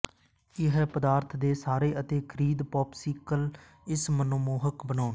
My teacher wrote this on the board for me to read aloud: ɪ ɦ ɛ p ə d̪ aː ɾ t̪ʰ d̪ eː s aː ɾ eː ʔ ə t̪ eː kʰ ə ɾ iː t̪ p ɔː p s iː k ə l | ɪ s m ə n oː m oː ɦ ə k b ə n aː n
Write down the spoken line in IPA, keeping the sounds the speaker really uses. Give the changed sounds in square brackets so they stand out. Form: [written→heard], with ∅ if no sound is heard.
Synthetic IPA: ɪ ɦ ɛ p ə d̪ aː ɾ t̪ʰ d̪ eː s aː ɾ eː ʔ ə t̪ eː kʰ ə ɾ iː [t̪→d̪] p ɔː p s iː k ə l | ɪ s m ə n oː m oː ɦ ə k b ə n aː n